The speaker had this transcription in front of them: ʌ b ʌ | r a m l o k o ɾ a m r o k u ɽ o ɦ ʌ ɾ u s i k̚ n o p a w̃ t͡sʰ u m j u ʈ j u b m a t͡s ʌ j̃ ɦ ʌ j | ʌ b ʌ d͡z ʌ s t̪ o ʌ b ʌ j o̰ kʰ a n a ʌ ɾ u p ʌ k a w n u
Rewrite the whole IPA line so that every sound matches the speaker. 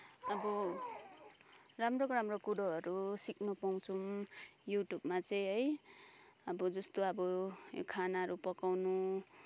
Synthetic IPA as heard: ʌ b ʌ | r a m r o k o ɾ a m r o k u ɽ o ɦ ʌ ɾ u s i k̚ n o p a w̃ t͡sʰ u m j u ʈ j u b m a t͡s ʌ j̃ ɦ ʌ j | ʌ b ʌ d͡z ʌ s t̪ o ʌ b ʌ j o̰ kʰ a n a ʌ ɾ u p ʌ k a w n u